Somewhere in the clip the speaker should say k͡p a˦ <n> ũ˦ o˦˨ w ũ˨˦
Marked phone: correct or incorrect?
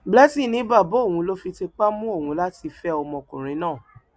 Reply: incorrect